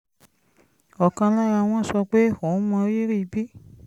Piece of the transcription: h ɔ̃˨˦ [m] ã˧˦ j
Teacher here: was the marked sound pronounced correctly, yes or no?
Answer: yes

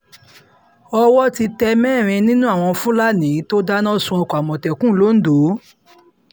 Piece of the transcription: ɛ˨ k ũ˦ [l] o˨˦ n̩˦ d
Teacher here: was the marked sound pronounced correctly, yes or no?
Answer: yes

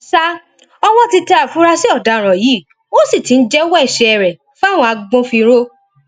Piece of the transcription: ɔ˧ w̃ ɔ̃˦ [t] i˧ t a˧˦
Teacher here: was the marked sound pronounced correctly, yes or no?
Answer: yes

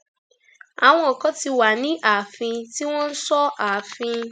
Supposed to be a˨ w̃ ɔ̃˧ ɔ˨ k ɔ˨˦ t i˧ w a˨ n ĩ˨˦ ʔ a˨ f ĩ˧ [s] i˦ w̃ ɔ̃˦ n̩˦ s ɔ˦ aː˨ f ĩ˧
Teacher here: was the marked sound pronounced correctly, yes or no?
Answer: no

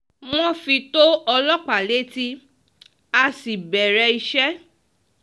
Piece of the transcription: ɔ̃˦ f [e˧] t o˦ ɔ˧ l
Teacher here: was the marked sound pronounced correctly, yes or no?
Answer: no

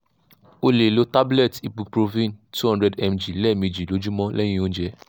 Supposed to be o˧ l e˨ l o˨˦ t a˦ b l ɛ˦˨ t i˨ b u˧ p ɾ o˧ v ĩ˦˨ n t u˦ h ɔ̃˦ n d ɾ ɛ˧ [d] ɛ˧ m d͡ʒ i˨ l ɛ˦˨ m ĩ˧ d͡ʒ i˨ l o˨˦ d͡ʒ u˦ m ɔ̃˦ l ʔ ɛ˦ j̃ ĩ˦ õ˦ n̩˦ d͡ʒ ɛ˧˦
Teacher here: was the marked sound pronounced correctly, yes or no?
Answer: yes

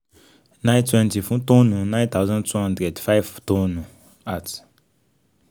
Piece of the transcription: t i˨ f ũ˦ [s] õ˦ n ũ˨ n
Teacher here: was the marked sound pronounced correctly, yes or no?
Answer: no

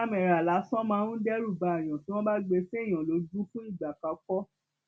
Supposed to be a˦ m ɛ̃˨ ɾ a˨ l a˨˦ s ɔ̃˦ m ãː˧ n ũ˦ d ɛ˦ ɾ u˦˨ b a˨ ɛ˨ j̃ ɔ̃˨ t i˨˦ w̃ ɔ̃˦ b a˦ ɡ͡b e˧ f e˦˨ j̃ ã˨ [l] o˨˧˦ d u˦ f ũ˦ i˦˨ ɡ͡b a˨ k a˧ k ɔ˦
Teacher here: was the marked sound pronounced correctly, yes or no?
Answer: yes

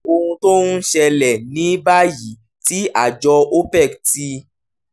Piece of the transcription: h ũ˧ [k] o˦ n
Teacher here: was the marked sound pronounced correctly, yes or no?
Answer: no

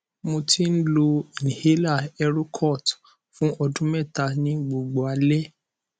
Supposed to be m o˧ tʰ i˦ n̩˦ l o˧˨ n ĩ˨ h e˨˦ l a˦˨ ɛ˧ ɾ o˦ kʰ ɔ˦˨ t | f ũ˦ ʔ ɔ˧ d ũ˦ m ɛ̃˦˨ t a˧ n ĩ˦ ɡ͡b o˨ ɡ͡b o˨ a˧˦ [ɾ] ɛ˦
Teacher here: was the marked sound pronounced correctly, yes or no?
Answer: no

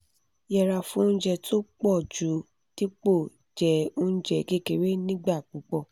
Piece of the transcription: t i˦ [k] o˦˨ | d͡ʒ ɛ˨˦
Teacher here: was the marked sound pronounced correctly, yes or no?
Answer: no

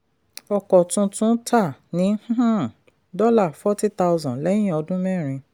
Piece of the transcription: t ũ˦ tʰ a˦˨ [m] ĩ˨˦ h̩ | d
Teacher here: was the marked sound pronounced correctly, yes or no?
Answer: no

